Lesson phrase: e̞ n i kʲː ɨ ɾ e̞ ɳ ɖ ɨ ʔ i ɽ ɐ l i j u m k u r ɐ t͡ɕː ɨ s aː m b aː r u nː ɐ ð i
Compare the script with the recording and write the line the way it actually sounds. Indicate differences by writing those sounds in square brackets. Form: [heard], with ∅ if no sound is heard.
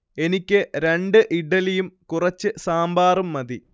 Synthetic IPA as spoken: e̞ n i kʲː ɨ ɾ e̞ ɳ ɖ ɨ ʔ i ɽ ɐ l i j u m k u r ɐ t͡ɕː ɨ s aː m b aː r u [mː] ɐ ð i